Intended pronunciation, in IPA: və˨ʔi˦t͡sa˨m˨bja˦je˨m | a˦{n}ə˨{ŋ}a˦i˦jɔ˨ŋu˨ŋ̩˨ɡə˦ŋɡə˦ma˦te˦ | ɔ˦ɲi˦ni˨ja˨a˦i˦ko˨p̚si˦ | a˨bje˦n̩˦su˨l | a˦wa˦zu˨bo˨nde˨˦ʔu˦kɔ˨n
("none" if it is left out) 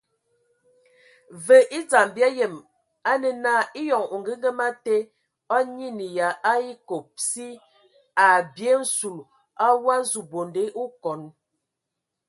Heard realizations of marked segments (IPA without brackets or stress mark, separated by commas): n, n